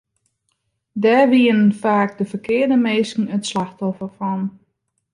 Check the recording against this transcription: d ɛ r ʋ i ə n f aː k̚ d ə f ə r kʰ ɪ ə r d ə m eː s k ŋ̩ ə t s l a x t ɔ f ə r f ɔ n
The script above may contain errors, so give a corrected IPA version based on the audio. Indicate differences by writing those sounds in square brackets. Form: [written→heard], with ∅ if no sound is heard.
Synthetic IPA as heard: d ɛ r ʋ i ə n f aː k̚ d ə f ə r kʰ ɪ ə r d ə m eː s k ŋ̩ ə t s l a x t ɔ f ə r f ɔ n